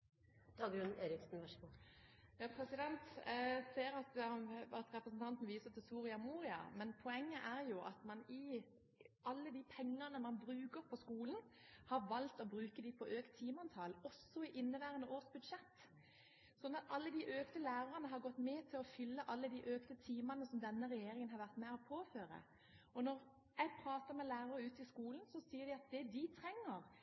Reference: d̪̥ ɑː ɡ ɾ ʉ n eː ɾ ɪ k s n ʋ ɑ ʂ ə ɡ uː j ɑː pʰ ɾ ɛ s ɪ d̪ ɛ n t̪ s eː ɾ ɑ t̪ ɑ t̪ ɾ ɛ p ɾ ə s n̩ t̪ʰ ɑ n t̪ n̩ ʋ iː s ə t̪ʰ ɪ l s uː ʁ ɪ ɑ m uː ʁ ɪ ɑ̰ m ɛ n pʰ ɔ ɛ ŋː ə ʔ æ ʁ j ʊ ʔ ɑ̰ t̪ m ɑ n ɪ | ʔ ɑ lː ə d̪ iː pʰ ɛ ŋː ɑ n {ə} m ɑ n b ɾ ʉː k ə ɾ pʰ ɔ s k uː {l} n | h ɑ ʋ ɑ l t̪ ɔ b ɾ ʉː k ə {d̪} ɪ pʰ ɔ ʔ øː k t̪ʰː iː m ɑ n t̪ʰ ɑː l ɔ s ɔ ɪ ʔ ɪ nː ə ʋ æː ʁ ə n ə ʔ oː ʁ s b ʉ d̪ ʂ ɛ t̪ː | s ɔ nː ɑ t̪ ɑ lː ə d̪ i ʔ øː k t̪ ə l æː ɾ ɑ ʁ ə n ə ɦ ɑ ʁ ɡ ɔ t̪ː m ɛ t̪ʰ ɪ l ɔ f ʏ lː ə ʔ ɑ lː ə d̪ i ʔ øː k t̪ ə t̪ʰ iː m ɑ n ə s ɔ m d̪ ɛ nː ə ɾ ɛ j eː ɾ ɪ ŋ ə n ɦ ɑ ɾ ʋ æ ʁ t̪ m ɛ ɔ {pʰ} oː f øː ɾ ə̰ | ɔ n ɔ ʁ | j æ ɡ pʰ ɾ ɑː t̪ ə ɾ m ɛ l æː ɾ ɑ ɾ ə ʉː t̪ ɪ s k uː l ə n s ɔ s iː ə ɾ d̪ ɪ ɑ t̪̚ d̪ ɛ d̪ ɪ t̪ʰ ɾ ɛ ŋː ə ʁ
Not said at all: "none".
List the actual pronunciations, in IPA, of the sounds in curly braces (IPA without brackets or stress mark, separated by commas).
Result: ə, l, d̪, pʰ